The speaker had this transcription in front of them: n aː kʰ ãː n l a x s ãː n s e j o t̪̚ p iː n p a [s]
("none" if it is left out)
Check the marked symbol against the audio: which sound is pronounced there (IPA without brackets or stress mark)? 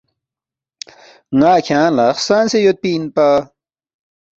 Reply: none